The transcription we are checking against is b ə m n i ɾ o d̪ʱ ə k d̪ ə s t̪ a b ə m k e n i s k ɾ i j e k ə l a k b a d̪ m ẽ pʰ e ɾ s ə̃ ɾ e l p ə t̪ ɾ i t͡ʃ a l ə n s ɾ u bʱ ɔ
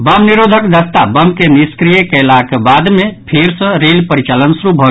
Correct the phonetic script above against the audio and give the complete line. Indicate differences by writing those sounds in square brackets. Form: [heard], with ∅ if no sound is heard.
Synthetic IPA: b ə m n i ɾ o d̪ʱ ə k d̪ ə s t̪ a b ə m k e n i s k ɾ i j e k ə l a k b a d̪ m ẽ pʰ e ɾ s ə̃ ɾ e l p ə [∅] ɾ i t͡ʃ a l ə n s ɾ u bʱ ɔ